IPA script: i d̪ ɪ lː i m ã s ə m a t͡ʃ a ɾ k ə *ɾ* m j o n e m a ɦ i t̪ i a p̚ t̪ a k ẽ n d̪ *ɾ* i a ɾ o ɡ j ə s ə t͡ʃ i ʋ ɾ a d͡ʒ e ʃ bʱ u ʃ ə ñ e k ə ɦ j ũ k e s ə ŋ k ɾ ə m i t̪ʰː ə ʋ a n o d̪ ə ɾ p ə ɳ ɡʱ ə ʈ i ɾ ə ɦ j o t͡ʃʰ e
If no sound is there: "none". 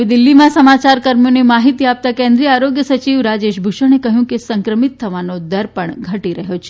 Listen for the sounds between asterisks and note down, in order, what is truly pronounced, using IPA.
ɾ, ɾ

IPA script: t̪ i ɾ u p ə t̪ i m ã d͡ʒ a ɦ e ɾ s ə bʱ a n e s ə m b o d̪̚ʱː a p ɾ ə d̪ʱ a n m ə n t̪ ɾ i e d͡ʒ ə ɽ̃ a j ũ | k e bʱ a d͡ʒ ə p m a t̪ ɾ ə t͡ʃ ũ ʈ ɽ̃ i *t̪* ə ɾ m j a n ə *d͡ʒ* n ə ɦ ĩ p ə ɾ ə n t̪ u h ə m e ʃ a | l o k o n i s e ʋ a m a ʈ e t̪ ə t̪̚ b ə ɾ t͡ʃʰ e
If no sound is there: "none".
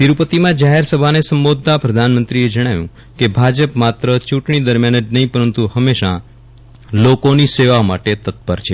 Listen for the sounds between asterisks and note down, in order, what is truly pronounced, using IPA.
d̪, d͡ʒ

